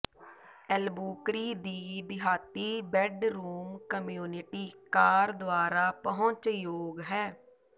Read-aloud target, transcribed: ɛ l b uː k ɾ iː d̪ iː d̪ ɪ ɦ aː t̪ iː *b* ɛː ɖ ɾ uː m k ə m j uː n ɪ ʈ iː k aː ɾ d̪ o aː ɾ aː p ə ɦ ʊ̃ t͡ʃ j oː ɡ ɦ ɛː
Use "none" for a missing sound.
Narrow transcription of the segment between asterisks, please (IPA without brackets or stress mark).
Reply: b